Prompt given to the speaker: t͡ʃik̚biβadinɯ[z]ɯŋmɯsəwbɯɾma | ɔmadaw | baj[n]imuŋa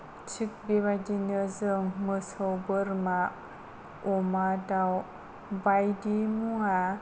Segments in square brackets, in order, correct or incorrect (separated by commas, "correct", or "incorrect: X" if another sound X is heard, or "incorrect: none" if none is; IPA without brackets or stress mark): correct, incorrect: d